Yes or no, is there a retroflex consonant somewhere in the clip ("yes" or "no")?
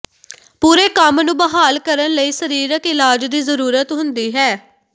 no